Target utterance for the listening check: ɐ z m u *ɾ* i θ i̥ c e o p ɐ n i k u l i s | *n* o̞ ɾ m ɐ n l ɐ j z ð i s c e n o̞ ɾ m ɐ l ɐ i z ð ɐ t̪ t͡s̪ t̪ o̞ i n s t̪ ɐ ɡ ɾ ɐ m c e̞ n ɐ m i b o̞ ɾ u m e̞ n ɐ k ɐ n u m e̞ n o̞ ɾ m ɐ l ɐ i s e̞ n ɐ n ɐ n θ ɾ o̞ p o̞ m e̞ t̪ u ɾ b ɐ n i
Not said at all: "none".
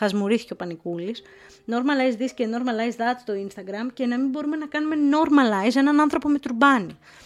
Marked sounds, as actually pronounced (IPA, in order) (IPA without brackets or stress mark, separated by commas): ɾ, n